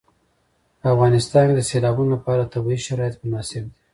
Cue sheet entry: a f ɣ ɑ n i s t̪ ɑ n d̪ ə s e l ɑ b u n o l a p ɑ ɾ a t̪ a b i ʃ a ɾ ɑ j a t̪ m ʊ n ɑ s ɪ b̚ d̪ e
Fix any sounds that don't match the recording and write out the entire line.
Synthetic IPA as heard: a f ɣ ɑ n ɪ s t̪ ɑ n d̪ ə s e l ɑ b u n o l a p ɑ ɾ a t̪ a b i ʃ a ɾ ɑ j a t̪ m ʊ n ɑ s ɪ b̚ d̪ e